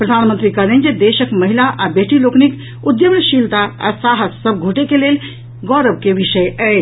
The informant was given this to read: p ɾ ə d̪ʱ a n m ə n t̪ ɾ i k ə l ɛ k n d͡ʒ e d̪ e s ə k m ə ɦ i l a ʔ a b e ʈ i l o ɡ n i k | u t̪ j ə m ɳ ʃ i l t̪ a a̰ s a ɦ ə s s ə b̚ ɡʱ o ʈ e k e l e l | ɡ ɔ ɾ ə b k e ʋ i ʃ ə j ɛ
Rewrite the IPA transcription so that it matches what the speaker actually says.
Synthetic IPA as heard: p ɾ ə d̪ʱ a n m ə n t̪ ɾ i k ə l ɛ n d͡ʒ e d̪ e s ə k m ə ɦ i l a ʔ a b e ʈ i l o k n i k | u d̪ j ə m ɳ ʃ i l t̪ a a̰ s a ɦ ə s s ə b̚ ɡʱ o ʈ e k e l e l | ɡ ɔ ɾ ə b k e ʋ i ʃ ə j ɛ